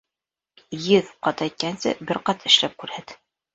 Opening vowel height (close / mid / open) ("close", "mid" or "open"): mid